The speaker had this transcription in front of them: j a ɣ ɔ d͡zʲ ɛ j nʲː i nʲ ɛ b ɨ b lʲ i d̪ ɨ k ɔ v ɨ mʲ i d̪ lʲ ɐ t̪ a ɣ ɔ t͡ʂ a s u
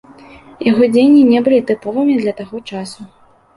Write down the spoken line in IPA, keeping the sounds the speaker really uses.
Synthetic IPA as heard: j a ɣ ɔ d͡zʲ e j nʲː i nʲ ɛ b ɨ lʲ i t̪ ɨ p ɔ v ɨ mʲ i d̪ lʲ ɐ t̪ a ɣ ɔ t͡ʂ a s u

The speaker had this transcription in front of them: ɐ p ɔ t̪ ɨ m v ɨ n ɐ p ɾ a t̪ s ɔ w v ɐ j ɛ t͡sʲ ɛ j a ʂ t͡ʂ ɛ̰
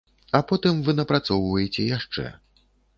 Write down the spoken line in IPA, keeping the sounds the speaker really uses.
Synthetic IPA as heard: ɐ p ɔ t̪ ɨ m v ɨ n ɐ p ɾ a t̪ s ɔ w v ɐ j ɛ t͡sʲ ɛ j a ʂ t͡ʂ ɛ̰

